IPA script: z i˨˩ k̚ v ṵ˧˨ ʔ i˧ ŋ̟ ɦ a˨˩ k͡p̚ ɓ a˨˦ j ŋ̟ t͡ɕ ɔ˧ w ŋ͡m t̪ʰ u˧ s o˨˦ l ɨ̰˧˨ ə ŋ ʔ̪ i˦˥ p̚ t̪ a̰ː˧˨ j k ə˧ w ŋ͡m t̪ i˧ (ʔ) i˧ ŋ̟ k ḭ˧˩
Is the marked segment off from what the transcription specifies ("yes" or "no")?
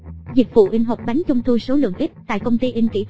no